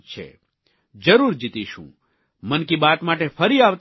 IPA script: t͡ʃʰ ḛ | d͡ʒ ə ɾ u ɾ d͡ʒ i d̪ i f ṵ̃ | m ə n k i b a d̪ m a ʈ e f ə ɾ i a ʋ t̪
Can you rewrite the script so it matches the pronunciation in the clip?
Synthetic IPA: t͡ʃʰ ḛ | d͡ʒ ə ɾ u ɾ d͡ʒ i t̪ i ʃ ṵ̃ | m ə n k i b a t̪ m a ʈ e f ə ɾ i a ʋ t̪